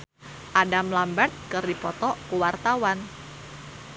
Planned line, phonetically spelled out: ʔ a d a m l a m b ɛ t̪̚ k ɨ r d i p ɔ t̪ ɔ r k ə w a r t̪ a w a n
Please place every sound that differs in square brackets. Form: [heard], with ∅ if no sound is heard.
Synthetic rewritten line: ʔ a d a m l a m b [a] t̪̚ k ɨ r d i p ɔ t̪ ɔ [∅] k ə w a r t̪ a w a n